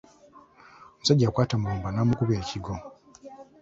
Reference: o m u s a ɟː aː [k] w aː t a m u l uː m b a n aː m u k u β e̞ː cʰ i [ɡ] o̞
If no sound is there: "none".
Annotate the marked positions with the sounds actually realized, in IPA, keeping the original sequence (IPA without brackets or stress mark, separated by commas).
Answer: k, ɡ